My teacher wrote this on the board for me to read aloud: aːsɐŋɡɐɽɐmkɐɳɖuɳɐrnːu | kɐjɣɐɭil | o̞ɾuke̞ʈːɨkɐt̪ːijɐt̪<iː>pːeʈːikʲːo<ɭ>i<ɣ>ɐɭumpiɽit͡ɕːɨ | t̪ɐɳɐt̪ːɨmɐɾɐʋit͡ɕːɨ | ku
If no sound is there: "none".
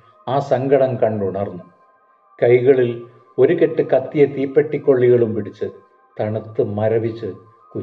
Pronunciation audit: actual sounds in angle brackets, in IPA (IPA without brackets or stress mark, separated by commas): iː, ɭː, ɣ